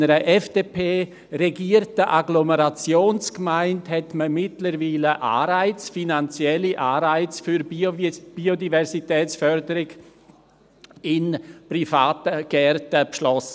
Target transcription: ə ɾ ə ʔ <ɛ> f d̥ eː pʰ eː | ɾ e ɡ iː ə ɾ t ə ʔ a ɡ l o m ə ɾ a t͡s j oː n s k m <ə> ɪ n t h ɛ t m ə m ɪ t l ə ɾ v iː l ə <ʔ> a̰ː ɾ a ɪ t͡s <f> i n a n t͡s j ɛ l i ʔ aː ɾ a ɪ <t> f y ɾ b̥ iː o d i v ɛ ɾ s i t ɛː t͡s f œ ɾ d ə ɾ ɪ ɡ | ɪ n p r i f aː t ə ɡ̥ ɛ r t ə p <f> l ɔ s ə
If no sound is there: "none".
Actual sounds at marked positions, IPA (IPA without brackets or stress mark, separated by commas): ɛ, a, ʔ, f, t͡s, ʃ